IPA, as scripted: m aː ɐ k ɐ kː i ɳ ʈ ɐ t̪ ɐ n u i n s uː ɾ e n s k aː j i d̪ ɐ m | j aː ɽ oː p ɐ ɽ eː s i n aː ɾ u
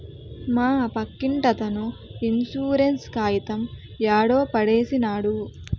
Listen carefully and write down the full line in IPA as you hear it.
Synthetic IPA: m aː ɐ p ɐ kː i ɳ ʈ ɐ t̪ ɐ n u i n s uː ɾ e n s k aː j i t̪ ɐ m | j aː ɽ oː p ɐ ɽ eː s i n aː ɽ u